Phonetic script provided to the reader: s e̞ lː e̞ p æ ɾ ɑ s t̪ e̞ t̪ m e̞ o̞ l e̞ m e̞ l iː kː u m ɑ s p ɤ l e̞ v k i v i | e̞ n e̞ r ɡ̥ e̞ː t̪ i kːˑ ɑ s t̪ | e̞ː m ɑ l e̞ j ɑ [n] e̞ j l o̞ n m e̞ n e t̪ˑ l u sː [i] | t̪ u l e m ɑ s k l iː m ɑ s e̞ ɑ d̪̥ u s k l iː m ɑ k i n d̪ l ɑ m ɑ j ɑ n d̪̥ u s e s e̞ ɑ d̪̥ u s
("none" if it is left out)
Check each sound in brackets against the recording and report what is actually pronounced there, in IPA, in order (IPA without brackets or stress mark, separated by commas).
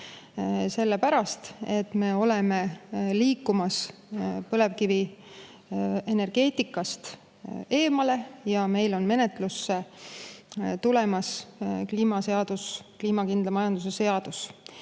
m, e